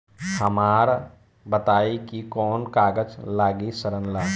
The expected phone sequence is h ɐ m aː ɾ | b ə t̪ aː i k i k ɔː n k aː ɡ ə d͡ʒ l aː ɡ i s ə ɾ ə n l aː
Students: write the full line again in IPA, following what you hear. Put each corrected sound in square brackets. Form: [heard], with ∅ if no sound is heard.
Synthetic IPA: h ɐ m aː ɾ | b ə t̪ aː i k i k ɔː n k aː ɡ ə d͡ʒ l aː ɡ i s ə ɾ ə n l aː